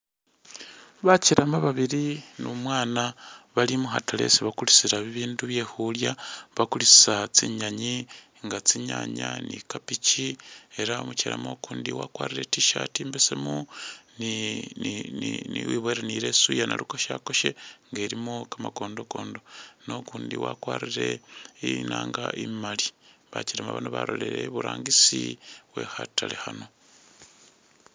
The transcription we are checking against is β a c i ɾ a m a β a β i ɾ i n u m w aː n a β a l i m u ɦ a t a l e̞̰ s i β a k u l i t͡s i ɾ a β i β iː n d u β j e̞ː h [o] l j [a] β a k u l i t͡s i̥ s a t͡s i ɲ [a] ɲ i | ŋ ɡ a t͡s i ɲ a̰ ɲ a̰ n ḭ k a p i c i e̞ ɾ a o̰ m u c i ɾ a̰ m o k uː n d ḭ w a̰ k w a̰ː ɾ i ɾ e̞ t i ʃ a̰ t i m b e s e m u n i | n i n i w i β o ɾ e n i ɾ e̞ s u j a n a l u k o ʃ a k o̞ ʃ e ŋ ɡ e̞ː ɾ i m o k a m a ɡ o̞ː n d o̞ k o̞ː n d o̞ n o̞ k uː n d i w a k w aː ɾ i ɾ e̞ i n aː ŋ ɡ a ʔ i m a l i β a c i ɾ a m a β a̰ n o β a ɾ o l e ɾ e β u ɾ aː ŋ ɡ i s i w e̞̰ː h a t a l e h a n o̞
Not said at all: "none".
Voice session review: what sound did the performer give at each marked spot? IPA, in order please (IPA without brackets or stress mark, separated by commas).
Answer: u, a, a